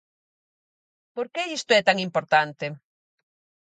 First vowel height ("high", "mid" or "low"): mid